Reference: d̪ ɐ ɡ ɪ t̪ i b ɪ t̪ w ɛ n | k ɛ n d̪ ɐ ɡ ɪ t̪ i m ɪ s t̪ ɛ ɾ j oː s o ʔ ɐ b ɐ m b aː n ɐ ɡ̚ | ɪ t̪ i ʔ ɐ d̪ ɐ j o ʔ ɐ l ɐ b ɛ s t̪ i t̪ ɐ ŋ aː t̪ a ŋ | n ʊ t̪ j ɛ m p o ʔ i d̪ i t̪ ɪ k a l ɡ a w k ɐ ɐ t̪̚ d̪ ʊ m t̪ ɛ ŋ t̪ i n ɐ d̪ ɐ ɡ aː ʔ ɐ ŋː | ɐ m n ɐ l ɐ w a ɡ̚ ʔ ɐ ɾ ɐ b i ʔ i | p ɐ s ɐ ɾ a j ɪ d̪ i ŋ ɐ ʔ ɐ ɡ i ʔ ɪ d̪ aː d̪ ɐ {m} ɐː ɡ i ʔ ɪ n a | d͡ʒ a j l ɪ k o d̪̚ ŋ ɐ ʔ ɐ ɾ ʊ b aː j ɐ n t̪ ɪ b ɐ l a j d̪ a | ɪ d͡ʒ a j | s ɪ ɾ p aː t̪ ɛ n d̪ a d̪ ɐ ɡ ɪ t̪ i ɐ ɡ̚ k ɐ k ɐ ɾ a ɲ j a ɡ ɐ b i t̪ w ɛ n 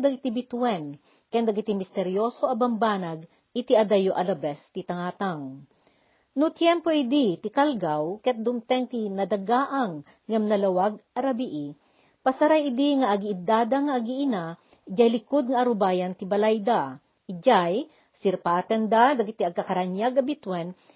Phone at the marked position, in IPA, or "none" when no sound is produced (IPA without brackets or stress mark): ŋ